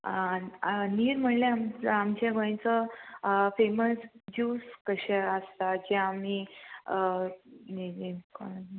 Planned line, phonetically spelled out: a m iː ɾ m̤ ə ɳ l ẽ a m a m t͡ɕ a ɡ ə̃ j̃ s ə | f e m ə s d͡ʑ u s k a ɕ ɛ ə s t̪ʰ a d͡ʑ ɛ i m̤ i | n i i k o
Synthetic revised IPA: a n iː ɾ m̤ ə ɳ l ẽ a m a m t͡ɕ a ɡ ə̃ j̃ t͡s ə | f e m ə s d͡ʑ u s k ə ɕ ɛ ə s t̪ a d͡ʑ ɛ a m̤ i | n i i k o

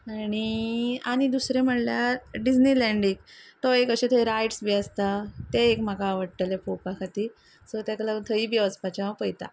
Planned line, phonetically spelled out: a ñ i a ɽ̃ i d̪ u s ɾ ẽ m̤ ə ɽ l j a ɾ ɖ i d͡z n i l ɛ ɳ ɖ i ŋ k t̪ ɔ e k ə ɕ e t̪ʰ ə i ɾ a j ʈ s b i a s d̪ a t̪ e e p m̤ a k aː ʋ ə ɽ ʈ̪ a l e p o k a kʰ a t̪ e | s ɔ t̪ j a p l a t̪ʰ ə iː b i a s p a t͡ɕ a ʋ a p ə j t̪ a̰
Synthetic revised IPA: a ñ i a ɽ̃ i d̪ u s ɾ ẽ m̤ ə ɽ l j a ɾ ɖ i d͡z n i l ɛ ɳ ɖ i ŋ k t̪ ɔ e k ə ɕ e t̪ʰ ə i ɾ a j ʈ s b i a s t̪ a t̪ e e k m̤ a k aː ʋ ə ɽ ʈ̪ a l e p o p a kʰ a t̪ i | s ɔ t̪ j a k l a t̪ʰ ə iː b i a s p a t͡ɕ a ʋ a p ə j t̪ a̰

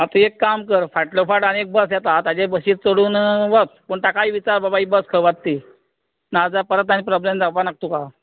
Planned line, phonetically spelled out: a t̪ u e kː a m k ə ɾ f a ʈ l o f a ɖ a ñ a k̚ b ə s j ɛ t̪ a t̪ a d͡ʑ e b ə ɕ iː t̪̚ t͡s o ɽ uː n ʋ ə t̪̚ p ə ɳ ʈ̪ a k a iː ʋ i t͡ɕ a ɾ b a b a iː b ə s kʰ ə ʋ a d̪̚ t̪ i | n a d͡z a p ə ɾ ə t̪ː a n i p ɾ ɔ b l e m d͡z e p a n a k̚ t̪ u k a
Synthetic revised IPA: a t̪ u e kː a m k ə ɾ f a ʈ l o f a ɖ a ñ e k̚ b ə s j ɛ t̪ a t̪ a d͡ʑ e b ə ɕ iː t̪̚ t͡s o ɽ uː n ʋ ə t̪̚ p ə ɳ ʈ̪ a k a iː ʋ i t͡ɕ a ɾ b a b a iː b ə s kʰ ə ʋ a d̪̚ t̪ i | n a d͡z a p ə ɾ ə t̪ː a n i p ɾ ɔ b l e m d͡z a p a n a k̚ t̪ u k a

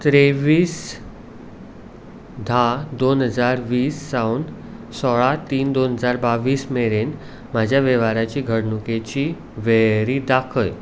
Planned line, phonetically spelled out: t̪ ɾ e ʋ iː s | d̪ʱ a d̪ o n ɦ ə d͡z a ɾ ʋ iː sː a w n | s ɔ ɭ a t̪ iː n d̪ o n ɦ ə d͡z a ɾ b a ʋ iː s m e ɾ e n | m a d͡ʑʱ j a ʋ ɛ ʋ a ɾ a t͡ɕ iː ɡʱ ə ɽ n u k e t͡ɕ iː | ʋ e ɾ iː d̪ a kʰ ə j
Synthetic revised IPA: t̪ ɾ e ʋ iː s | d̪ʱ a d̪ o n ɦ ə d͡z a ɾ ʋ iː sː a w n | s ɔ ɭ a t̪ iː n d̪ o n ɦ ə d͡z a ɾ b a ʋ iː s m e ɾ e n | m a d͡ʑʱ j a ʋ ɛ ʋ a ɾ a t͡ɕ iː ɡʱ ə ɽ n u k e t͡ɕ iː | ʋ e ɾ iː d̪ a kʰ ə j

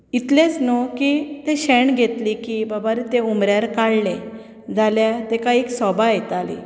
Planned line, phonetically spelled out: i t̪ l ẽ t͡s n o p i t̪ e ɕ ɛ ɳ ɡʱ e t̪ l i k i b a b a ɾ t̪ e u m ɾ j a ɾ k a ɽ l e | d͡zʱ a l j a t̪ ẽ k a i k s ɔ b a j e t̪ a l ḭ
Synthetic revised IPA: i t̪ l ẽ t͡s n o k i t̪ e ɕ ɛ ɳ ɡʱ e t̪ l i k i b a b a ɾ t̪ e u m ɾ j a ɾ k a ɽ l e | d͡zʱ a l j a t̪ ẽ k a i k s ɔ b a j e t̪ a l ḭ

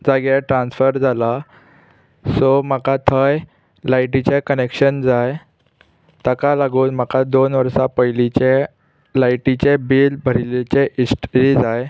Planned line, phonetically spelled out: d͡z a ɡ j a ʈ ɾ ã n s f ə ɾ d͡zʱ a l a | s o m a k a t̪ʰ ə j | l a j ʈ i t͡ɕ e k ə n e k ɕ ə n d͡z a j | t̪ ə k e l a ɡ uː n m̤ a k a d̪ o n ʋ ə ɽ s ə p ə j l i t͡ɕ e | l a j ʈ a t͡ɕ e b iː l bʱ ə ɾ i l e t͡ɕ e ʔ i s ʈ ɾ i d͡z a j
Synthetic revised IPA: d͡z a ɡ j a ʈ ɾ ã n s f ə ɾ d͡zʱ a l a | s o m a k a t̪ʰ ə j | l a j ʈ i t͡ɕ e k ə n e k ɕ ə n d͡z a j | t̪ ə k a l a ɡ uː n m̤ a k a d̪ o n ʋ ə ɾ s a p ə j l i t͡ɕ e | l a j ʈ i t͡ɕ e b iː l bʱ ə ɾ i l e t͡ɕ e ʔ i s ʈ ɾ i d͡z a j

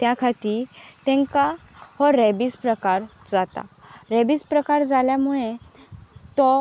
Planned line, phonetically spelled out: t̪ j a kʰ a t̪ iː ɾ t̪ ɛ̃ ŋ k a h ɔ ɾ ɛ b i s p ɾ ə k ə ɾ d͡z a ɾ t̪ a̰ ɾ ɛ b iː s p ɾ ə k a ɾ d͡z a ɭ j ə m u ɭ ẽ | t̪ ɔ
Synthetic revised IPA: t̪ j a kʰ a t̪ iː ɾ t̪ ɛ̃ ŋ k a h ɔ ɾ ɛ b i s p ɾ ə k a ɾ d͡z a t̪ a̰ ɾ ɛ b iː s p ɾ ə k a ɾ d͡z a l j a m u ɭ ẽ | t̪ ɔ

